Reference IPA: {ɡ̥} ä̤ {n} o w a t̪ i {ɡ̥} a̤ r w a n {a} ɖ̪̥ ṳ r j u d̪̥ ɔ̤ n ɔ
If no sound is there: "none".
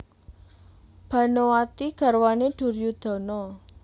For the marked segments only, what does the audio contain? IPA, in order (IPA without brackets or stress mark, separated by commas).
b̥, n, ɡ̥, e